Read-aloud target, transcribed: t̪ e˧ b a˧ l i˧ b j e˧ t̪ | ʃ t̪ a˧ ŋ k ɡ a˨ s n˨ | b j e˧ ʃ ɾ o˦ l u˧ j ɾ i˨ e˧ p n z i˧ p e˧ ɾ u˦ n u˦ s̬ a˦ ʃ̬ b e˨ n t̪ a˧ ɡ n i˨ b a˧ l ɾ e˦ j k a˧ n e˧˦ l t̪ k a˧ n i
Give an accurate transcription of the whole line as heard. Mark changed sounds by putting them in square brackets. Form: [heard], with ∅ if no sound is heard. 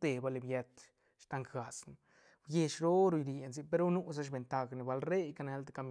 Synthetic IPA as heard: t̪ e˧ b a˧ l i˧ b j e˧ t̪ | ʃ t̪ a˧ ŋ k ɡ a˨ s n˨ | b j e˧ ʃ ɾ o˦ [ɾ] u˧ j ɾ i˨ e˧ [∅] n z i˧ p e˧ ɾ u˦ n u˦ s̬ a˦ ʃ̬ b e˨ n t̪ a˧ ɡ n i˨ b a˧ l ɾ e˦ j k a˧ n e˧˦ l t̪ k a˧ [m] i